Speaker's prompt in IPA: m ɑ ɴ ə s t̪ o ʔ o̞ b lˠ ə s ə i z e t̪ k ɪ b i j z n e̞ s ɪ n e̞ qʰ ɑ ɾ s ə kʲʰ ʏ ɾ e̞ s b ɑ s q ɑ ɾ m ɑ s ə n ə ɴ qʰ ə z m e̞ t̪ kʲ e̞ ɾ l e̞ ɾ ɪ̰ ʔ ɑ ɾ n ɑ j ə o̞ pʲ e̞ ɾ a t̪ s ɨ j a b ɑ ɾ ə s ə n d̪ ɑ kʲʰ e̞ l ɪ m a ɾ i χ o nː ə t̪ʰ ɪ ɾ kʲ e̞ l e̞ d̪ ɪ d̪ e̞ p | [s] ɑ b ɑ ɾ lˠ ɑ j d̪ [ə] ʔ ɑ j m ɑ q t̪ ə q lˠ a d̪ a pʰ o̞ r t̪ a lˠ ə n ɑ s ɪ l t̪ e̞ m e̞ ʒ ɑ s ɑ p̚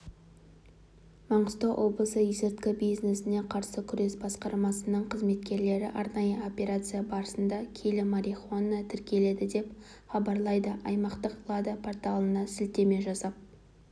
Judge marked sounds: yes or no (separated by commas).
no, yes